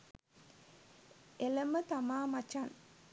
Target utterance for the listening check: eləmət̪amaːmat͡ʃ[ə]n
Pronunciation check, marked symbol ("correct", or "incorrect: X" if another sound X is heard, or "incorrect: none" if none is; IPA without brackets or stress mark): incorrect: a